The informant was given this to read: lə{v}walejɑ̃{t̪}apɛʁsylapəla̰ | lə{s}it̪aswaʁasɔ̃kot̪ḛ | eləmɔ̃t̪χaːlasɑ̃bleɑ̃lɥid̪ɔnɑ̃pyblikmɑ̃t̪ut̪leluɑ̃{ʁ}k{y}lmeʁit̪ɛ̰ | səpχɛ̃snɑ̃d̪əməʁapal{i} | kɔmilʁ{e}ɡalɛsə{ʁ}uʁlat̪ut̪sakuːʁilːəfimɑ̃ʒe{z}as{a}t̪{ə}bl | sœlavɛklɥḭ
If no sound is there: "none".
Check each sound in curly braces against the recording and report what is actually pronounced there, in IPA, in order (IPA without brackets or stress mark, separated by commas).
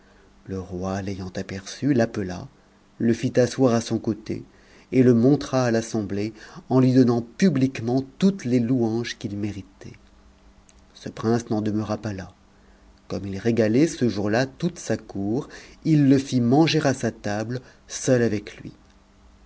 ʁ, t̪, f, ʒ, i, a, e, ʒ, ʁ, a, a